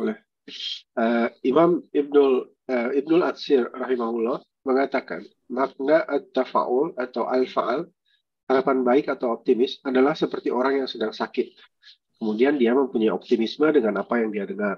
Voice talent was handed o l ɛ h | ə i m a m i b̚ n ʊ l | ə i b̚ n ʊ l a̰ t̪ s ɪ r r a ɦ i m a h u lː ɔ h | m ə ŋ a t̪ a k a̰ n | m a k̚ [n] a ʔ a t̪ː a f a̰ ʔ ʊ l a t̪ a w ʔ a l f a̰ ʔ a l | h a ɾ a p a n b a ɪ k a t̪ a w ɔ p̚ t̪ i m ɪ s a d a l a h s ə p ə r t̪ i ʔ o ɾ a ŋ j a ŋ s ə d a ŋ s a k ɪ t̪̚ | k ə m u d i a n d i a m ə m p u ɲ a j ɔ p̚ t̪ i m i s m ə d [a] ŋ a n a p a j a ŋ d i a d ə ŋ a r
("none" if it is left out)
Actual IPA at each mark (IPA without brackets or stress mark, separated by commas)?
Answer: n, ə